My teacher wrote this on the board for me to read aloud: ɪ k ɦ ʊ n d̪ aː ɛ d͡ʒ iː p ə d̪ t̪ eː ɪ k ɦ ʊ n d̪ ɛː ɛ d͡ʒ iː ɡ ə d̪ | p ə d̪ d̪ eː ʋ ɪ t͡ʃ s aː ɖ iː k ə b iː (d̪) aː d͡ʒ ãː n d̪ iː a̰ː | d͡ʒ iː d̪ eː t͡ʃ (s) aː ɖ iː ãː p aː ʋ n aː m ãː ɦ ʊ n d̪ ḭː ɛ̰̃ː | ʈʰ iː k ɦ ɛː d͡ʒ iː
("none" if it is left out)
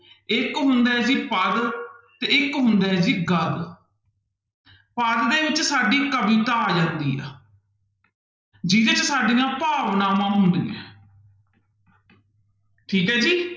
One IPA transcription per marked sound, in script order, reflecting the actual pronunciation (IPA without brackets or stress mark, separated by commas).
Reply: t̪, s